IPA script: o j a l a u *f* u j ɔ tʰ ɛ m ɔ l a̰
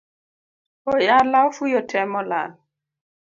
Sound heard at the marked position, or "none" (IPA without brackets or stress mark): f